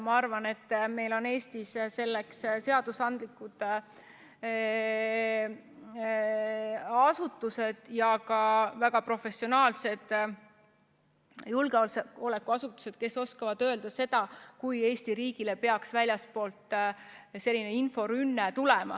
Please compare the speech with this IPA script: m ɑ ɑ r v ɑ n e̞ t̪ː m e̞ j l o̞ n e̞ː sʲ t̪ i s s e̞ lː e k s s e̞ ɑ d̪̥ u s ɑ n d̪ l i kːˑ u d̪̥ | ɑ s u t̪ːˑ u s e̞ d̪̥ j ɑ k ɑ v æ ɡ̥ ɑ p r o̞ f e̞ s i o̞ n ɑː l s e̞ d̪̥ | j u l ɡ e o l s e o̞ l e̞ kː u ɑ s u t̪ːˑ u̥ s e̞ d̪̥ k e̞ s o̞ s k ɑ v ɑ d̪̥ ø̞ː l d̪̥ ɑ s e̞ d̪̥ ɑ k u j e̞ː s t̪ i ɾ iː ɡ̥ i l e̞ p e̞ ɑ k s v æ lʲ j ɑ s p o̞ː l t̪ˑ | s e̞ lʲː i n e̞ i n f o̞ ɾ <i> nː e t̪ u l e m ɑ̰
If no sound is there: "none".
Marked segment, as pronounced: y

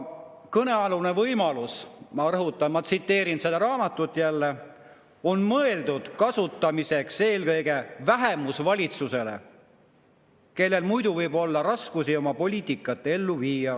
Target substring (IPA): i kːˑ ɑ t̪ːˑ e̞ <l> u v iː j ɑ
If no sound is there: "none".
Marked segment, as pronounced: lː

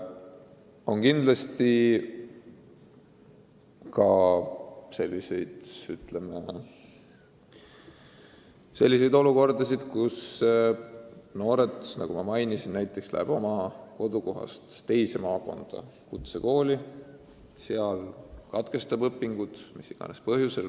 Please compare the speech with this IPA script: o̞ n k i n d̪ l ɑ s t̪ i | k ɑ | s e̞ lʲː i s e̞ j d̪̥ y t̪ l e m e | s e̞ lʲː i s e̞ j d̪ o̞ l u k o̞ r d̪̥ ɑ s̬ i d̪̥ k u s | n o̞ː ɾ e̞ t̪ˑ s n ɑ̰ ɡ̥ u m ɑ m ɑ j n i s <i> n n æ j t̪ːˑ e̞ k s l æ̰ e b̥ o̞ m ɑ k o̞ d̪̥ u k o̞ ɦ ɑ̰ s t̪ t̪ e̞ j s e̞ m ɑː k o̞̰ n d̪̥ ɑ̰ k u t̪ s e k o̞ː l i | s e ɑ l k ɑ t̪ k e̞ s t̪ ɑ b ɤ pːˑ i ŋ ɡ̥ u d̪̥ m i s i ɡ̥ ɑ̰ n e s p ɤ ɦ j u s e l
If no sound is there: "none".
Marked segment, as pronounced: i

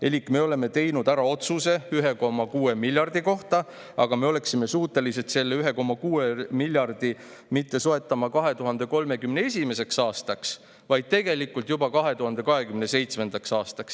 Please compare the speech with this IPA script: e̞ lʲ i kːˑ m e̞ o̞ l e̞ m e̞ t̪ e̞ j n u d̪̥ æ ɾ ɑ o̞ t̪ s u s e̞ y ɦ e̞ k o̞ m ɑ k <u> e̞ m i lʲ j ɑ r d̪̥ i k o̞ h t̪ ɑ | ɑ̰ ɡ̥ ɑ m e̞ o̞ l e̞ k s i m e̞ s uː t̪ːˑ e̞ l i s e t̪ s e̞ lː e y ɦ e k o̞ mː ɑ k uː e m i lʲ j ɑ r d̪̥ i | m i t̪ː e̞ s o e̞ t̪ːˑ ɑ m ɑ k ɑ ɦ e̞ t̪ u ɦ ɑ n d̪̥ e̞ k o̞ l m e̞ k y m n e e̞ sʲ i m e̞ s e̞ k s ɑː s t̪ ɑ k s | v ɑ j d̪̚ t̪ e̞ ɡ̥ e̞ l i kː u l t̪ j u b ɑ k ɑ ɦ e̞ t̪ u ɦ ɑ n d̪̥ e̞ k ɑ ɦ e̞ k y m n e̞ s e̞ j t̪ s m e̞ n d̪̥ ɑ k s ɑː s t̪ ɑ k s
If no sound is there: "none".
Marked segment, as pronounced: uː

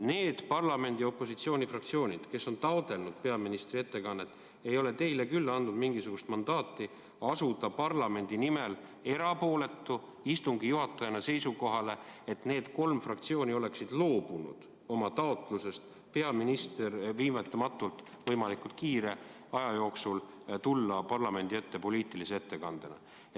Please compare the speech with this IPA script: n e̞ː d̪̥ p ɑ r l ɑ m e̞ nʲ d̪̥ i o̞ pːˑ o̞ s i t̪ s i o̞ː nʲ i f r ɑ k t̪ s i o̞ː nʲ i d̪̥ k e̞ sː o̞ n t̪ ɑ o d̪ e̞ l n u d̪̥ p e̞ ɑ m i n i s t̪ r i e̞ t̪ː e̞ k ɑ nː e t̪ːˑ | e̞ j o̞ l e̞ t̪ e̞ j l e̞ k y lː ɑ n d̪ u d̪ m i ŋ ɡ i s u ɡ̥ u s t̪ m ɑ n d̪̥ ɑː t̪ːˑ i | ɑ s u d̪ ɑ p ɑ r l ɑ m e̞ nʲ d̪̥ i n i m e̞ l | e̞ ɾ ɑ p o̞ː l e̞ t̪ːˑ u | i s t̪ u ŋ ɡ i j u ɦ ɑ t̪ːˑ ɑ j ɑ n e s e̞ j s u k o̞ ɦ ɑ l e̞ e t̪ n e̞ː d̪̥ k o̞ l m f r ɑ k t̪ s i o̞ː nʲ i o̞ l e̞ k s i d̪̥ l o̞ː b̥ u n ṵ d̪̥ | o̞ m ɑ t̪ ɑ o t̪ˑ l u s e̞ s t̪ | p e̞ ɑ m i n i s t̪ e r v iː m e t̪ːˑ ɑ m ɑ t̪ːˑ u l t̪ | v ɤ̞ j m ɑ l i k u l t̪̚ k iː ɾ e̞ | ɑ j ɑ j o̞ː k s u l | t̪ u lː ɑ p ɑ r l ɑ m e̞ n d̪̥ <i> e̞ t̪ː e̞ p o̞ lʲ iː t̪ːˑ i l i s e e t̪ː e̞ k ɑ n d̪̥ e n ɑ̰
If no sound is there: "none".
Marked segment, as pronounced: i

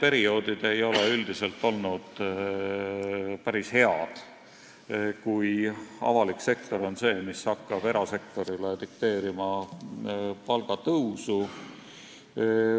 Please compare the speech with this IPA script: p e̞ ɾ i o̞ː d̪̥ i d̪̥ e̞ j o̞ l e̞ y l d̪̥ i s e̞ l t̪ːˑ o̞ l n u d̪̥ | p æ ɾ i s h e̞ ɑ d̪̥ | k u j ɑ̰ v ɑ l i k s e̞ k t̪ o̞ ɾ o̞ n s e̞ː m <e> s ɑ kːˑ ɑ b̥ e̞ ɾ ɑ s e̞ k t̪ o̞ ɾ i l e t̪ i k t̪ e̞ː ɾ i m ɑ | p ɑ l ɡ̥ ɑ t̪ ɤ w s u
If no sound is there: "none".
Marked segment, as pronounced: i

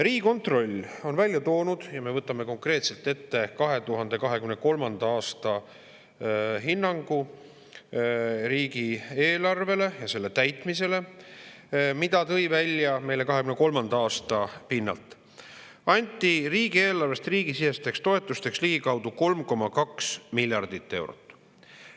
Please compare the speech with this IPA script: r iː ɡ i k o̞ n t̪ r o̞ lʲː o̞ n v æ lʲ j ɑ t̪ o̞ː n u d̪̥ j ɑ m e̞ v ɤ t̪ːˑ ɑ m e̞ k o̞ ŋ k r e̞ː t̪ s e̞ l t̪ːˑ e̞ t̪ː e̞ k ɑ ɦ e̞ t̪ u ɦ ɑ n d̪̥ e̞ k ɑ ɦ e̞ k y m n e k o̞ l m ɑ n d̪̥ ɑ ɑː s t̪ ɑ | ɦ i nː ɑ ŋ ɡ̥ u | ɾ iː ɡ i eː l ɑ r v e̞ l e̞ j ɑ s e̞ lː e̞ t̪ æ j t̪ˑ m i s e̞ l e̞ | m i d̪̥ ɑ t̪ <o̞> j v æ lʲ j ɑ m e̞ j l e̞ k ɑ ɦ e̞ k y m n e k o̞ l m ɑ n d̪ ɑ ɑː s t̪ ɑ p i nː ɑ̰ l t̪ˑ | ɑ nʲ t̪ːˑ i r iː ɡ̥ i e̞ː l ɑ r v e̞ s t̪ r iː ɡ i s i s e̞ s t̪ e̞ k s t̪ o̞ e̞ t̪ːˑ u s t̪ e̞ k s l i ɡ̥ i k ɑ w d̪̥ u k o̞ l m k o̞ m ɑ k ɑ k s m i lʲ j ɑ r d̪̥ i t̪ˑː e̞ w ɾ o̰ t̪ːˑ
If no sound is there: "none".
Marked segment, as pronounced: ɤ̞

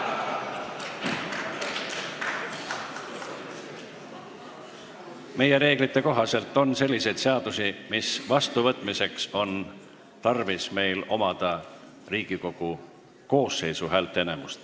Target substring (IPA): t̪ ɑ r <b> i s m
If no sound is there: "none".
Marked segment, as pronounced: v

